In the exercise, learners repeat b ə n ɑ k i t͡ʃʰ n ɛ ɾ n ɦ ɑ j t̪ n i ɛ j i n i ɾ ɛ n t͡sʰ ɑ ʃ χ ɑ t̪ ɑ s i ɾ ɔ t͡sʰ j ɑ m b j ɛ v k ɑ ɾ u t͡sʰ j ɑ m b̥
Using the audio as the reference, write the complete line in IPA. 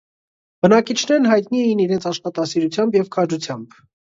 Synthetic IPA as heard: b ə n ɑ k i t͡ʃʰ n ɛ ɾ n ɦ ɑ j t̪ n i ɛ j i n i ɾ ɛ n t͡sʰ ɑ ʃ χ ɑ t̪ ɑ s i ɾ u t͡sʰ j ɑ m b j ɛ v kʰ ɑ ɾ u t͡sʰ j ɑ m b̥